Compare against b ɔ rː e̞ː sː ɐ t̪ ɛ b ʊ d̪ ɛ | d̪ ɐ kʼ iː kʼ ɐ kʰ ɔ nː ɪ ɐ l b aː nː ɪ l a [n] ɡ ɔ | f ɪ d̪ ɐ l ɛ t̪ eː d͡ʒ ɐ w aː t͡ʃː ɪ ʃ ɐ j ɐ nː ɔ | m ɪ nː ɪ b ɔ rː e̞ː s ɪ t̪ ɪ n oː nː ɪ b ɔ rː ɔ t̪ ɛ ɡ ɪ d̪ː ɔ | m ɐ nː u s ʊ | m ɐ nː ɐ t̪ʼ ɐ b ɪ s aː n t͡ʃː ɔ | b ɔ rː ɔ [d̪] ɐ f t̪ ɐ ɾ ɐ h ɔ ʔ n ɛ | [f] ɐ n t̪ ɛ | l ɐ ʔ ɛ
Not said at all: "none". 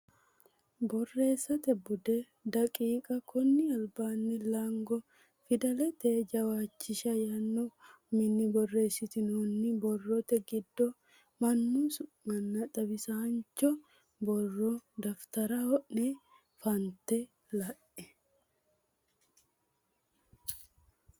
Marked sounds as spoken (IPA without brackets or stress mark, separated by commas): ŋ, d̪, f